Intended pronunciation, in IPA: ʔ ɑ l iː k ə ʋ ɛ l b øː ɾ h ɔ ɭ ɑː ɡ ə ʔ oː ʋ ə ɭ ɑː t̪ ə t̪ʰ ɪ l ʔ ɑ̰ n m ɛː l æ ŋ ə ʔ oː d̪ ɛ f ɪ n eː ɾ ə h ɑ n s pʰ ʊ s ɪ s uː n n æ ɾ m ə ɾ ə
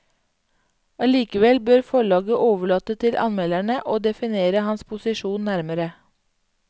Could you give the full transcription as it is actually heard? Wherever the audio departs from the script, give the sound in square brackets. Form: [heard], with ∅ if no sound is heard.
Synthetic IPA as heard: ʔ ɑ l iː k ə ʋ ɛ l b øː ɾ [f] ɔ ɭ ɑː ɡ ə ʔ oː ʋ ə ɭ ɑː t̪ ə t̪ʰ ɪ l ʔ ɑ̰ n m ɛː l æ [ɳ] ə ʔ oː d̪ ɛ f ɪ n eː ɾ ə h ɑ n s pʰ ʊ s ɪ [ʃ] uː n n æ ɾ m ə ɾ ə